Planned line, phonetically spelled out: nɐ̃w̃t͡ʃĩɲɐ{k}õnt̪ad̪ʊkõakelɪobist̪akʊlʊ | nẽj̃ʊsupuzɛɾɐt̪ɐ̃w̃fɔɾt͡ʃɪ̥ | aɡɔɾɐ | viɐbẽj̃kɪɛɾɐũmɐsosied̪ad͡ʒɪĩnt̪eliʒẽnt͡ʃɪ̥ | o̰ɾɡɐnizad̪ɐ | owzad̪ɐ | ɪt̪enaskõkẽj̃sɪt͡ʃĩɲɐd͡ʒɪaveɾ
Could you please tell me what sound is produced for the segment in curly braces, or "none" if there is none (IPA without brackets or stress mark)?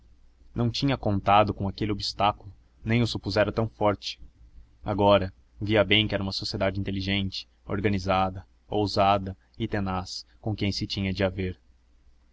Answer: k